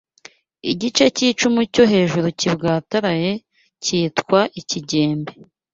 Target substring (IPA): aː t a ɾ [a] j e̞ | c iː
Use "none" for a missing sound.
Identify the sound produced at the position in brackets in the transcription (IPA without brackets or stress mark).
a